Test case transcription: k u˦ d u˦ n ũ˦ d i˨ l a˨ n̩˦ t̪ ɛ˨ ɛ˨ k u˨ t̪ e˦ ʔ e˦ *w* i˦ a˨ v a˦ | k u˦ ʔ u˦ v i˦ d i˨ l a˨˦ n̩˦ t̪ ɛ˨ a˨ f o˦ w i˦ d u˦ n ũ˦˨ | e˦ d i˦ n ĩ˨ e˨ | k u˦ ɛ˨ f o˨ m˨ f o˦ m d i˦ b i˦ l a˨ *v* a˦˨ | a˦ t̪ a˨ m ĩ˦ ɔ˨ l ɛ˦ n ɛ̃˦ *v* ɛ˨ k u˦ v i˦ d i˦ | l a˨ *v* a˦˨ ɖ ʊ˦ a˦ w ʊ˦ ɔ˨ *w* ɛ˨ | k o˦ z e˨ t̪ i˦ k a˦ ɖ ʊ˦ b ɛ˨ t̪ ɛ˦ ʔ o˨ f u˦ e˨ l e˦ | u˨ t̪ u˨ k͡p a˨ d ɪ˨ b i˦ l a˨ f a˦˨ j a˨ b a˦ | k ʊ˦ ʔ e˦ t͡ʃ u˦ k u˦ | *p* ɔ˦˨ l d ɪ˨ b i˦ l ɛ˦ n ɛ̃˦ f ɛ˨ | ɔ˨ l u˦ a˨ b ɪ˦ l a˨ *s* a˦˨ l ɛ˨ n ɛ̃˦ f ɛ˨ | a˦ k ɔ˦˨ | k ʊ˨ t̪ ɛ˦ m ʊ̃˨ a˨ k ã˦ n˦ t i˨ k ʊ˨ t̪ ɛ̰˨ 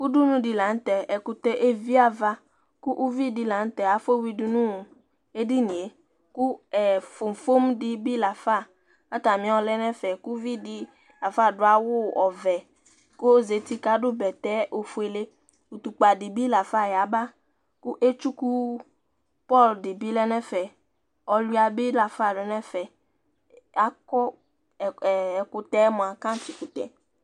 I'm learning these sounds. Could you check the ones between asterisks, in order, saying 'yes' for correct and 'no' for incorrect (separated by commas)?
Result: no, no, no, no, no, yes, no